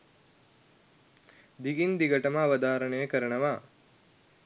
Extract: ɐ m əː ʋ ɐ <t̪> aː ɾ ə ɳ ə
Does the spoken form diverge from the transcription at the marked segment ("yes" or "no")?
yes